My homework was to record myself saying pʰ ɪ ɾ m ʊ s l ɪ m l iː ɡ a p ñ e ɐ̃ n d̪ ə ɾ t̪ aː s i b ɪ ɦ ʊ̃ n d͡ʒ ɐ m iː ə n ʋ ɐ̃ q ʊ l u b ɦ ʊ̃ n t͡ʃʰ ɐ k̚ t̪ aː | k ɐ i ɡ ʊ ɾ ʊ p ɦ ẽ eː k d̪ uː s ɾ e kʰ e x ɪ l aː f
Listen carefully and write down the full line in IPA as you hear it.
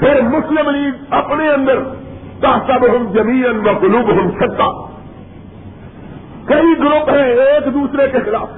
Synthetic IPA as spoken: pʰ ɪ ɾ m ʊ s l ɪ m l iː ɡ ɐ p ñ e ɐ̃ n d̪ ə ɾ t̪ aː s a b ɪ ɦ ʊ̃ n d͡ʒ ɐ m iː ə n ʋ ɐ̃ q ʊ l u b ɦ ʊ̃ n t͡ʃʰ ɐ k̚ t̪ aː | k ɐ i ɡ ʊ ɾ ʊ p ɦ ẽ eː k d̪ uː s ɾ e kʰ e x ɪ l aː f